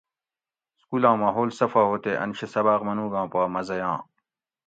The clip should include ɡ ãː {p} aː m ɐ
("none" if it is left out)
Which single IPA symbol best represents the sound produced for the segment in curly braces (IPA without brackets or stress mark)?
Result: p